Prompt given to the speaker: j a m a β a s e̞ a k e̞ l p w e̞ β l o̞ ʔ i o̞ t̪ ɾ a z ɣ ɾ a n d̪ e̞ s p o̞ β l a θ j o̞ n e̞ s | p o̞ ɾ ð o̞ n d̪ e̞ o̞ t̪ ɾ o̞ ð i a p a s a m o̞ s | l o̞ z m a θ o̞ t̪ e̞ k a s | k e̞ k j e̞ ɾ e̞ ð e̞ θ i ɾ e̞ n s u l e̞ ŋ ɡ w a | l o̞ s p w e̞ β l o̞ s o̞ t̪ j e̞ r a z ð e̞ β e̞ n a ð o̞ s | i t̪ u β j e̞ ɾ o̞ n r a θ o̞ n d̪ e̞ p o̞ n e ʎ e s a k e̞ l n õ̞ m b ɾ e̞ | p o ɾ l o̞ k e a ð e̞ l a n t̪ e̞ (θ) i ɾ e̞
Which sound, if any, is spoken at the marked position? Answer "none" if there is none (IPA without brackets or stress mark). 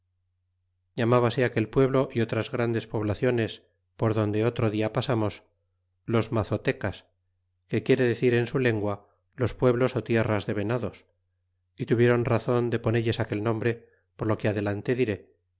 ð